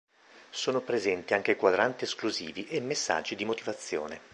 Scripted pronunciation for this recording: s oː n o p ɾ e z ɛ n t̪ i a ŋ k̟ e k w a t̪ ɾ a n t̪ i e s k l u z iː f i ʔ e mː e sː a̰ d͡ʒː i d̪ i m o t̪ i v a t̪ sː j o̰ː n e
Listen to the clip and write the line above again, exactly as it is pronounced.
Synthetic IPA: s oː n o p ɾ e z ɛ n t̪ i a ŋ k̟ e k w a d̪ ɾ a n t̪ i e s k l u z iː v i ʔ e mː e sː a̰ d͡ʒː i d̪ i m o t̪ i v a t̪ sː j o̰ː n e